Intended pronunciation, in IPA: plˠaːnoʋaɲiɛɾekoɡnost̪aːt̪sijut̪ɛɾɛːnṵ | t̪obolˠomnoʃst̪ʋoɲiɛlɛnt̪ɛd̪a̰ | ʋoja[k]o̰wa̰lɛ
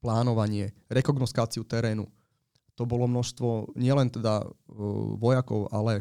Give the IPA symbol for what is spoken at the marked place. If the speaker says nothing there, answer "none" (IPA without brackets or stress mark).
k